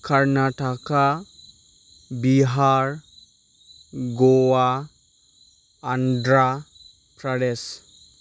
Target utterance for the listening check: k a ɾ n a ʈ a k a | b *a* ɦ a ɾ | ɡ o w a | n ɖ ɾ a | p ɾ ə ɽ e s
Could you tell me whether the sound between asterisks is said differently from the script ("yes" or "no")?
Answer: yes